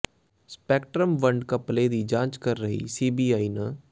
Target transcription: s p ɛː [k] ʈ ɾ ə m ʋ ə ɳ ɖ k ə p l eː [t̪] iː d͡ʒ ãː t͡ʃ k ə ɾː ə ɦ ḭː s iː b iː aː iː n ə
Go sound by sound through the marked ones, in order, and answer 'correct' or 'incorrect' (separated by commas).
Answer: correct, incorrect